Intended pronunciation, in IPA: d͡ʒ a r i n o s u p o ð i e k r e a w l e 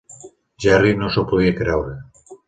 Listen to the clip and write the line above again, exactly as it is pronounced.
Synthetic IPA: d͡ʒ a r i n o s o p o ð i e k ɾ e a w ɾ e